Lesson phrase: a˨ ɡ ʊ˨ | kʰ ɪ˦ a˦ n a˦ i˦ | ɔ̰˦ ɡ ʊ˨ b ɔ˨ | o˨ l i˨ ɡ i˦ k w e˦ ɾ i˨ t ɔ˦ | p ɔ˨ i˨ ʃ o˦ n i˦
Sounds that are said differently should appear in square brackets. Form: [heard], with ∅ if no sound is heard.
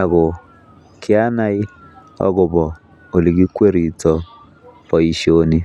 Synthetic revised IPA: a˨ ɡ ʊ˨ | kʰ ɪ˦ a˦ n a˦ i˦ | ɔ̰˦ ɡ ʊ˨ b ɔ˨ | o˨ l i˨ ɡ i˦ k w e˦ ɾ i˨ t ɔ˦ | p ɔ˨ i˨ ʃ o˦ n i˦